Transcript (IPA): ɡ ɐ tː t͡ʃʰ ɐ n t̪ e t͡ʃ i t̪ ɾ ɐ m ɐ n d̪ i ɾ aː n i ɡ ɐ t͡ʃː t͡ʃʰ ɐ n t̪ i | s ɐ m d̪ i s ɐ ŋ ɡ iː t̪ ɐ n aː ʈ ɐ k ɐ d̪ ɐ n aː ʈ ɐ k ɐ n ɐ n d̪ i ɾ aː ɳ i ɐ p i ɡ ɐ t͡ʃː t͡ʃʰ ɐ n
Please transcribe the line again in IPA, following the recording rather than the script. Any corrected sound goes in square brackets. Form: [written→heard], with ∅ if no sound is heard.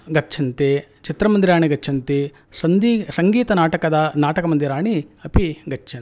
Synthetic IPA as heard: ɡ ɐ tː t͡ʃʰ ɐ n t̪ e t͡ʃ i t̪ ɾ ɐ m ɐ n d̪ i ɾ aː [n→ɳ] i ɡ ɐ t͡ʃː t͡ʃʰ ɐ n t̪ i | s ɐ [m→n] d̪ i s ɐ ŋ ɡ iː t̪ ɐ n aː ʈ ɐ k ɐ d̪ ɐ n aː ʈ ɐ k ɐ [n→m] ɐ n d̪ i ɾ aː ɳ i ɐ p i ɡ ɐ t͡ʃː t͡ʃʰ ɐ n